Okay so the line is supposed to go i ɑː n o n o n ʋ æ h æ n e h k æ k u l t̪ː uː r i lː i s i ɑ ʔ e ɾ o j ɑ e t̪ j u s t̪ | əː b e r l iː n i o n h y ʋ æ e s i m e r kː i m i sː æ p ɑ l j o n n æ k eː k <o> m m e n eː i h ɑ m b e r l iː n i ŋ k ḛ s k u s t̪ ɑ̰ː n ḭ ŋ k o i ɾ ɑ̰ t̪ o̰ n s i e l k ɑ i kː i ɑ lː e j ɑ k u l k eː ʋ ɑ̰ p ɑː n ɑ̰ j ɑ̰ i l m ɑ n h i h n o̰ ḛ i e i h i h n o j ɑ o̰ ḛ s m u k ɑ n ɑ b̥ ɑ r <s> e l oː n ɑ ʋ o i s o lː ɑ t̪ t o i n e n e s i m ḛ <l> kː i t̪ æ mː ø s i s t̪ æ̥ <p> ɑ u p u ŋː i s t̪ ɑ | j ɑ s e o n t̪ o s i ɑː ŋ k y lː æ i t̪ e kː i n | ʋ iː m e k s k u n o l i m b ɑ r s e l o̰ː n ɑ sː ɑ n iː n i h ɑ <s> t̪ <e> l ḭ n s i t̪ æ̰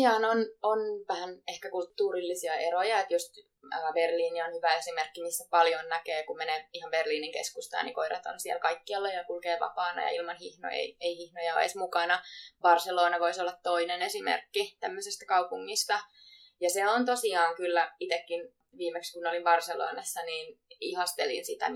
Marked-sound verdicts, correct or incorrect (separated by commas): incorrect, correct, incorrect, incorrect, correct, correct